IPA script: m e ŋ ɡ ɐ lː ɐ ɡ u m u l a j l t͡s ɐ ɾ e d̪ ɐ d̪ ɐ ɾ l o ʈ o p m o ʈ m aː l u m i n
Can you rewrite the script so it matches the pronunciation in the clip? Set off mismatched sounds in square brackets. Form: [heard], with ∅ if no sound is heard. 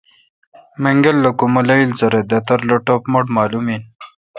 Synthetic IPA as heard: m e ŋ ɡ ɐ lː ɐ [k] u m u l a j l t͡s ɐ ɾ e d̪ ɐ [t̪] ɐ ɾ l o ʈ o p m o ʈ m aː l u m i n